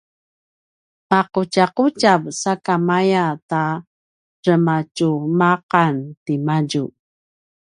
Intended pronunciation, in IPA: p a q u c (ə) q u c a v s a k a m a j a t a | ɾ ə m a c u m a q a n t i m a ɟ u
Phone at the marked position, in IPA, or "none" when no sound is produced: a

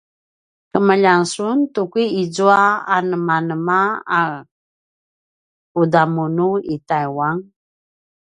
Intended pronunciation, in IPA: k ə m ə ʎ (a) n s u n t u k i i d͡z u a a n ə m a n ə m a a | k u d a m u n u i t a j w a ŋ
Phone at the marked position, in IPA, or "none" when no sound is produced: a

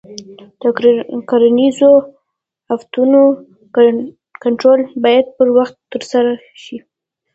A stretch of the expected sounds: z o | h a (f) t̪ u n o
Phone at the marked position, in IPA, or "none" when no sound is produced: f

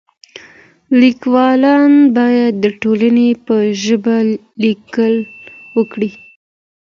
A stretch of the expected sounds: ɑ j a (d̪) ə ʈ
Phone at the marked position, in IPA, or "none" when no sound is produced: d̪ː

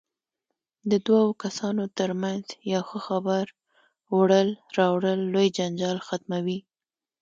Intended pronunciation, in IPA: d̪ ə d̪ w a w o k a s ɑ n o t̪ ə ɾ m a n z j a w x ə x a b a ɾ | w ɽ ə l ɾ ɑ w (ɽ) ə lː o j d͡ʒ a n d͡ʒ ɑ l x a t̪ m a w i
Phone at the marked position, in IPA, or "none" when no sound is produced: ɽ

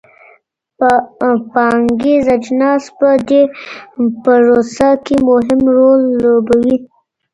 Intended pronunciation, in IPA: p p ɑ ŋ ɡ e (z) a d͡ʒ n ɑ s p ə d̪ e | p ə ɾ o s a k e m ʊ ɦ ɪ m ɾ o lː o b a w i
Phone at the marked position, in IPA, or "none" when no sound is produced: z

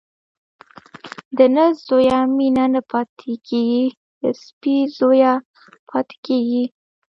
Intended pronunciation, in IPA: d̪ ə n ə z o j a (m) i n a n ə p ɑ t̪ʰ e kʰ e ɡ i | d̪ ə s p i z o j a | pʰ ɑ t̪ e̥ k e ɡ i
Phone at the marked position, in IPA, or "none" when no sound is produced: m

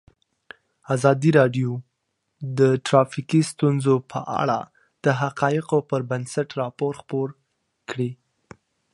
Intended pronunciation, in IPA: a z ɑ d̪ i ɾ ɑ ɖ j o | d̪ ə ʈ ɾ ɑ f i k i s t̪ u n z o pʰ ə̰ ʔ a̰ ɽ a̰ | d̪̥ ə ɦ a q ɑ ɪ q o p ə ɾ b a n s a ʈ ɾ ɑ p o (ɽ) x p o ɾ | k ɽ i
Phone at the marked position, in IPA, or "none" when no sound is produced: ɾ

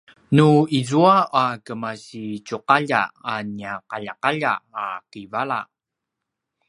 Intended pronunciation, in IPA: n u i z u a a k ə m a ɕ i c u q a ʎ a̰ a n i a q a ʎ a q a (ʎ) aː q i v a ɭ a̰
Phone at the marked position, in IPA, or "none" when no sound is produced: ʎ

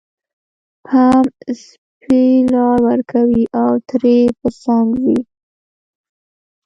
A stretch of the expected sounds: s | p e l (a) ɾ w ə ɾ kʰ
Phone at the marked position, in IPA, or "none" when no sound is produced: ɑ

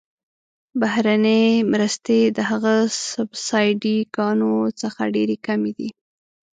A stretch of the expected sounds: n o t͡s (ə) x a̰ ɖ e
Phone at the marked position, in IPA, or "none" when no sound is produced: ə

